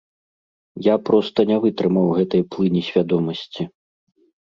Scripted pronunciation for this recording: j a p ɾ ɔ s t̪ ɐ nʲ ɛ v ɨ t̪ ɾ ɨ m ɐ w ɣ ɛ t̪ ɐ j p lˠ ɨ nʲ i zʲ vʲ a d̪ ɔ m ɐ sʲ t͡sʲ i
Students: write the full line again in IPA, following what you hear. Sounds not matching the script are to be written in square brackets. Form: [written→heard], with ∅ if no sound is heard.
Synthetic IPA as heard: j a p ɾ ɔ s t̪ ɐ nʲ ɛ v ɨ t̪ ɾ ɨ m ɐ w ɣ ɛ t̪ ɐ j p lˠ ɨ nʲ i [zʲ→sʲ] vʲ a d̪ ɔ m ɐ sʲ t͡sʲ i